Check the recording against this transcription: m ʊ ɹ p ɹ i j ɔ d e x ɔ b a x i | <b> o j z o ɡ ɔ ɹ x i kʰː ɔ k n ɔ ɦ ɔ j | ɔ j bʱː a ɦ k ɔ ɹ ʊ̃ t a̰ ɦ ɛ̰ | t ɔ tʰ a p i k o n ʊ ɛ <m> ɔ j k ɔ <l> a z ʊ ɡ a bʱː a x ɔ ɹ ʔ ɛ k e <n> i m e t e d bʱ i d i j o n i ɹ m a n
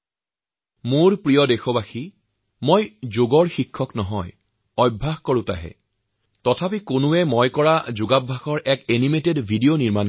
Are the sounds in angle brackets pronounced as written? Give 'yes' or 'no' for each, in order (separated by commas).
no, yes, no, yes